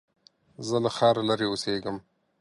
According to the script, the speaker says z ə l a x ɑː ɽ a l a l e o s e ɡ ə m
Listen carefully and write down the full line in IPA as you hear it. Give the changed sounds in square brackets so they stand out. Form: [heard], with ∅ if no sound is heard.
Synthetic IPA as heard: z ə l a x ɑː [ɾ] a l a [ɾ] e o s e ɡ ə m